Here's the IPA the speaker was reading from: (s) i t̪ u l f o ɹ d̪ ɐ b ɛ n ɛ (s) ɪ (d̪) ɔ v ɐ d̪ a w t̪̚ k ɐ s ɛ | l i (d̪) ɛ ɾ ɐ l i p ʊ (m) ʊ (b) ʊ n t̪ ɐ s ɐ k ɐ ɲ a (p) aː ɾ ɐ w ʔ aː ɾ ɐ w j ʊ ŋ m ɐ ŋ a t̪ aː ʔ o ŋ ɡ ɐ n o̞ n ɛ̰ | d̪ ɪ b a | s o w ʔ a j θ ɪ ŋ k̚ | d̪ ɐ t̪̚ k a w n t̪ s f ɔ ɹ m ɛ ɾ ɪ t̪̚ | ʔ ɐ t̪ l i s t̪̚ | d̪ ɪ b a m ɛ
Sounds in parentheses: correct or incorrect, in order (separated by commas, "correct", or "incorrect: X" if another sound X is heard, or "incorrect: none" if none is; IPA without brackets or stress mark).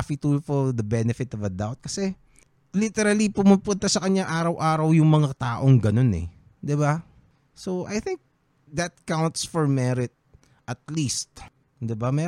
incorrect: f, incorrect: f, incorrect: t̪, incorrect: t̪, correct, incorrect: p, incorrect: ʔ